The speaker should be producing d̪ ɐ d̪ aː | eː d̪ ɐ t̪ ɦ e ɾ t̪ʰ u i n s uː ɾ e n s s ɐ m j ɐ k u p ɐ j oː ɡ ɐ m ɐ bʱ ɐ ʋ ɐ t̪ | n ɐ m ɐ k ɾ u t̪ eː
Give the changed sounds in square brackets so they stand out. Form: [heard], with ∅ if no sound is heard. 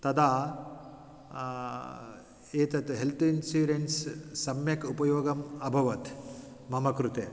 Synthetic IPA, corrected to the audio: [t̪] ɐ d̪ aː | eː [t̪] ɐ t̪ ɦ e [l] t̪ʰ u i n s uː ɾ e n s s ɐ m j ɐ k u p ɐ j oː ɡ ɐ m ɐ bʱ ɐ ʋ ɐ t̪ | [m] ɐ m ɐ k ɾ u t̪ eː